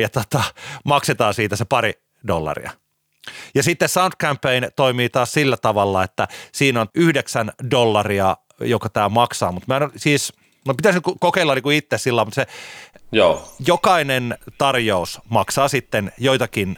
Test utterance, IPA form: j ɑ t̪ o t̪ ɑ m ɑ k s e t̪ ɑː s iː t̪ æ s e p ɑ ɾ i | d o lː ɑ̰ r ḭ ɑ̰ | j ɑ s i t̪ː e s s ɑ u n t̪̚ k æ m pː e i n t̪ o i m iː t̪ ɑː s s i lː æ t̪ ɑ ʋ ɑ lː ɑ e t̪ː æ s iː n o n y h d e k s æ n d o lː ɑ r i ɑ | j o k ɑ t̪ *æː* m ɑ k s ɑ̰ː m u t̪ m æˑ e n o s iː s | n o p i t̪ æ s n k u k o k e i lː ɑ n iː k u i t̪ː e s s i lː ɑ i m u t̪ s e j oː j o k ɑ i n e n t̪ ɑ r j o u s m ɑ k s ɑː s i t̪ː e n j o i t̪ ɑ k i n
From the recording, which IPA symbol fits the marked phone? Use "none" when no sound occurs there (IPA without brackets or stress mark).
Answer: æː